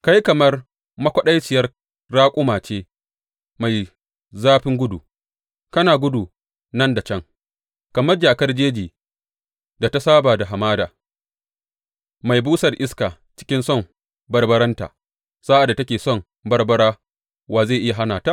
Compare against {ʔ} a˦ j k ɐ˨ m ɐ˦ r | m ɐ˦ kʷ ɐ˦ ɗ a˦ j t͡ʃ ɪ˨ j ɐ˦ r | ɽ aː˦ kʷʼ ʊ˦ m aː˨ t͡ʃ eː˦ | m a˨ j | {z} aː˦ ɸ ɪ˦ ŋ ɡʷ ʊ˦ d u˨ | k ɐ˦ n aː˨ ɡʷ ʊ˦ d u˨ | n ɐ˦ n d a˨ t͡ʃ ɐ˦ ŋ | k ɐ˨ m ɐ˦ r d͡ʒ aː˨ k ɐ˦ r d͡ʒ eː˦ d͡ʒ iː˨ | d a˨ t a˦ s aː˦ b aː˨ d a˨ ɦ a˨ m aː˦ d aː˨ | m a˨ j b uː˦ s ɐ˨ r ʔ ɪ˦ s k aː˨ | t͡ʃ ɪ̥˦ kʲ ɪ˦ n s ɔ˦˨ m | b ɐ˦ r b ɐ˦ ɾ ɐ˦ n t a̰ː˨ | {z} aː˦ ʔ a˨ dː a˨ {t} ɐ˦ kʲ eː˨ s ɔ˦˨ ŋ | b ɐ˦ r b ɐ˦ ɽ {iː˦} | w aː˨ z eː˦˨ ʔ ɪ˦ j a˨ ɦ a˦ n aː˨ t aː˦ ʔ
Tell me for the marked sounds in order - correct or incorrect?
incorrect: k, correct, incorrect: s, correct, incorrect: aː˦

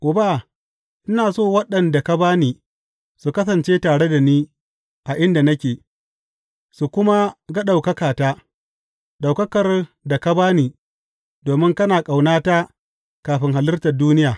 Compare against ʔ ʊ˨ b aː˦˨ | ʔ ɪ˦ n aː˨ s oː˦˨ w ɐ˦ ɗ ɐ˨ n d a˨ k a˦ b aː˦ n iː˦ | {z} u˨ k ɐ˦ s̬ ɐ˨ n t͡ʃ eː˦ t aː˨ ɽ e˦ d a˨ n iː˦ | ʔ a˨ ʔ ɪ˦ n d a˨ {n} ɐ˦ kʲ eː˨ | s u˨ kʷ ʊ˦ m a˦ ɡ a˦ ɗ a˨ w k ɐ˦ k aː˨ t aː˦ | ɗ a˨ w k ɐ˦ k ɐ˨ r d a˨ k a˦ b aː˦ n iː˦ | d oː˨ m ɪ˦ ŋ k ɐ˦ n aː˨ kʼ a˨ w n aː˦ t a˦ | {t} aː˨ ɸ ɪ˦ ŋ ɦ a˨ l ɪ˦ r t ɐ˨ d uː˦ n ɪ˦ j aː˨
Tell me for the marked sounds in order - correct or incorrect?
incorrect: s, correct, incorrect: k

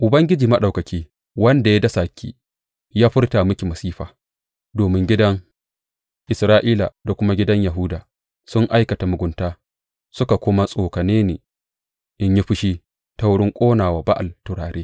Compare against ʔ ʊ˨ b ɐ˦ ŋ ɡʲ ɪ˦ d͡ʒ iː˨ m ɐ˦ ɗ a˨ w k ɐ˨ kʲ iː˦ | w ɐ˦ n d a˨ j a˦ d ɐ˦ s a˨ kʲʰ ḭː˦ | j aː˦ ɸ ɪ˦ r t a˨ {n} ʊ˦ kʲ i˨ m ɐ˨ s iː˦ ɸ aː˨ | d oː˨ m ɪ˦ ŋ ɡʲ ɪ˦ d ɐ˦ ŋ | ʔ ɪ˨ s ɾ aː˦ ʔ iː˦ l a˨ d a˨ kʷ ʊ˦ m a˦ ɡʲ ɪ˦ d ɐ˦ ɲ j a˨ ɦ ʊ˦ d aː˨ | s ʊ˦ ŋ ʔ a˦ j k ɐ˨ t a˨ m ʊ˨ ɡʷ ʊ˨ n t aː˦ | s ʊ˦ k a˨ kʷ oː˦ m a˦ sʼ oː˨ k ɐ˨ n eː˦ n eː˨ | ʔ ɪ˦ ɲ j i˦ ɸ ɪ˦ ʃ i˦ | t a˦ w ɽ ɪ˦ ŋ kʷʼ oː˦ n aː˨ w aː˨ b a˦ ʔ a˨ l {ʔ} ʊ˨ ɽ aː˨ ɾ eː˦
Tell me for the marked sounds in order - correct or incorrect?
incorrect: m, incorrect: t

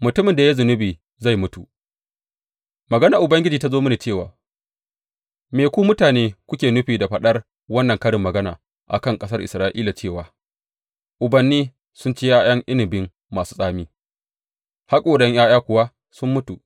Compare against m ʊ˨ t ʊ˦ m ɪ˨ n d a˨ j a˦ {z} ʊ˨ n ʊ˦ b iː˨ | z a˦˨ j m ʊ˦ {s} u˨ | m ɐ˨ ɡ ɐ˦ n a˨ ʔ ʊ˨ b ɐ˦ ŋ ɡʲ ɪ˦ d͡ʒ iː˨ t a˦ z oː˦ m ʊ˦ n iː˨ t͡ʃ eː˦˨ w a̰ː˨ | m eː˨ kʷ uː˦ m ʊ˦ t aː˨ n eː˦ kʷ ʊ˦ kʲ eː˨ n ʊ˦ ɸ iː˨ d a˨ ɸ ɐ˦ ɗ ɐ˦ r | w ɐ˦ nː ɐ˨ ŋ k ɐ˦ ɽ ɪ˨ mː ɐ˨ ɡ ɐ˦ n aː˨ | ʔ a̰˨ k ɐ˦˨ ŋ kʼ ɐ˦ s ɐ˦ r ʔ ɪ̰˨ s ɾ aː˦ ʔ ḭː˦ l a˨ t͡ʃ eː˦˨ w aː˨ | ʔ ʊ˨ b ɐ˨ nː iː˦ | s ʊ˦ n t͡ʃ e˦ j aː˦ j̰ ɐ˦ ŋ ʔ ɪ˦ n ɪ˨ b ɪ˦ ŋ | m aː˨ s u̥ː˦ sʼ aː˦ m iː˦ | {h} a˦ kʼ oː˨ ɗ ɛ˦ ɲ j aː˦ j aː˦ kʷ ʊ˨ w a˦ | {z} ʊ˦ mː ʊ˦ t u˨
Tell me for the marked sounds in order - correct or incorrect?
correct, incorrect: t, correct, incorrect: s

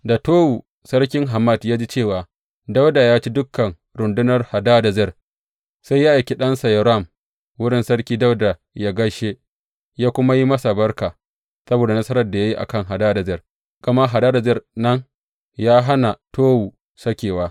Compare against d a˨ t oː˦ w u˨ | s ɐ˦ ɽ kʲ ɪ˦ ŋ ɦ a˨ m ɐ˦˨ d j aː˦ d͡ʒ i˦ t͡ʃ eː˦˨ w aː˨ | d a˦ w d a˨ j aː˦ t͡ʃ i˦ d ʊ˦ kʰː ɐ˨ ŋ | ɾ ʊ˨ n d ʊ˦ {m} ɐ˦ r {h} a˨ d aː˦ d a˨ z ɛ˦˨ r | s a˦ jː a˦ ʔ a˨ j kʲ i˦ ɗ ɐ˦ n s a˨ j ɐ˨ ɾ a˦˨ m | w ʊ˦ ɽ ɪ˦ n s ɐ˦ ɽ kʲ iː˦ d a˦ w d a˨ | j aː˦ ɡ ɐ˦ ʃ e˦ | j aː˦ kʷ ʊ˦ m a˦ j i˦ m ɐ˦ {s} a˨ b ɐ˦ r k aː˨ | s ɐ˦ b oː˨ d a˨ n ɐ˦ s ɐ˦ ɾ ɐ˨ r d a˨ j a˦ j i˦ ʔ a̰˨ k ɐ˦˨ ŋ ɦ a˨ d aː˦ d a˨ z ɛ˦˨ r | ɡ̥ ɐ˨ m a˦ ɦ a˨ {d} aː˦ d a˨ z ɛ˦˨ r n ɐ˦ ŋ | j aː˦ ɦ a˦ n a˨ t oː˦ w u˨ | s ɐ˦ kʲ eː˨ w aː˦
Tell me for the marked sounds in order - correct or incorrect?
incorrect: n, correct, correct, correct

